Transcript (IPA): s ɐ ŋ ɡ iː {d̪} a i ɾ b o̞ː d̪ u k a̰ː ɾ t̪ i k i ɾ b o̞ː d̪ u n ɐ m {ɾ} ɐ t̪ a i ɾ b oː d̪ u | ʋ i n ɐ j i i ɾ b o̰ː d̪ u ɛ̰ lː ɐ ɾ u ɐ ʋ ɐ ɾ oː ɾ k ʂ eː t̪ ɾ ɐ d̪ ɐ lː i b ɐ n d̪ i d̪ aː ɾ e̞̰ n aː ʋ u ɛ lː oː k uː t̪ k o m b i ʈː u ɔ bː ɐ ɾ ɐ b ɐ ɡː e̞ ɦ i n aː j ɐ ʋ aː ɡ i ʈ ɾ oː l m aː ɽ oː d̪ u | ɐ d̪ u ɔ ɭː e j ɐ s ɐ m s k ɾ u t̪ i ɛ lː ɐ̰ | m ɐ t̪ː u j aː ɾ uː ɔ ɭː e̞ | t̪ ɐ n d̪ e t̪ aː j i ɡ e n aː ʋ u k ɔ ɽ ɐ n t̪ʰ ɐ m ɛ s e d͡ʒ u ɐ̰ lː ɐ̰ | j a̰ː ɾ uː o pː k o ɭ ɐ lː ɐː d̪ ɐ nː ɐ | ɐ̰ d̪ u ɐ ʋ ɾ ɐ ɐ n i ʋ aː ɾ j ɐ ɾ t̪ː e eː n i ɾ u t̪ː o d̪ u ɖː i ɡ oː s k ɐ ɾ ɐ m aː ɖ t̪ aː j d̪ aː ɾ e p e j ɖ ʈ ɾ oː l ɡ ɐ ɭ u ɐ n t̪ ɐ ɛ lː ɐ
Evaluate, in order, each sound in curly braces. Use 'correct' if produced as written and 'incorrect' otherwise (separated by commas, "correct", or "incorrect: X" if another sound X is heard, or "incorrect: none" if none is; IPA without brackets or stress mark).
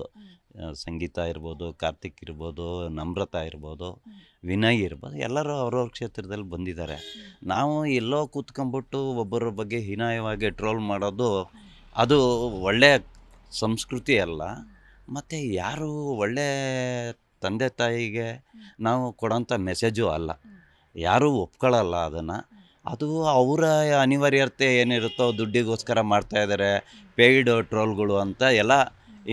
incorrect: t̪, correct